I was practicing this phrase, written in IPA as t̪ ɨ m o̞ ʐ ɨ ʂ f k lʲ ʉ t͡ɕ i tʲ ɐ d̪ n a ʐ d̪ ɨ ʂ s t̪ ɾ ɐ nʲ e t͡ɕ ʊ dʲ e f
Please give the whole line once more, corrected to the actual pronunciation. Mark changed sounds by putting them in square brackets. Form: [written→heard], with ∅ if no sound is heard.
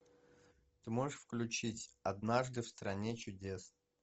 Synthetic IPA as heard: t̪ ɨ m o̞ ʐ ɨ ʂ f k lʲ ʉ t͡ɕ i tʲ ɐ d̪ n a ʐ d̪ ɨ [ʂ→f] s t̪ ɾ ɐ nʲ e t͡ɕ ʊ dʲ e [f→s]